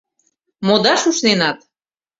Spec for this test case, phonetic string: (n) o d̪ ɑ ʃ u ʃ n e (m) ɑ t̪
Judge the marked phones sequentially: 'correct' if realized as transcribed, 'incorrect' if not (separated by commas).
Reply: incorrect, incorrect